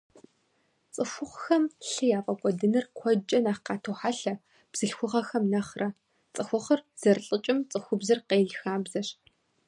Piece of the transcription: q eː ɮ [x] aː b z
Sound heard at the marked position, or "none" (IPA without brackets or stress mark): x